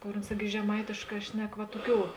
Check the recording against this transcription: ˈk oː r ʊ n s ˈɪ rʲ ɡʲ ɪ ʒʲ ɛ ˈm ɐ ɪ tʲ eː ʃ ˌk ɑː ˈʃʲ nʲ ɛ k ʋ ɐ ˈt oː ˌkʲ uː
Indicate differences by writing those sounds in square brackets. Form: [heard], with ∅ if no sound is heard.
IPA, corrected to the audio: ˈk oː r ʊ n s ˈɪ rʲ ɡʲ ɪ ʒʲ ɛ ˈm ɐ ɪ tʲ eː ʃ ˌk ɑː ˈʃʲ nʲ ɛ k ʋ ɐ ˈt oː ˌkʲ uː